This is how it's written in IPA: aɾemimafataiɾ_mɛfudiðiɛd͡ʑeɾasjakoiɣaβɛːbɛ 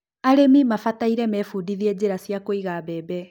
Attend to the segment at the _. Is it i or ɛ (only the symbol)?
ɛ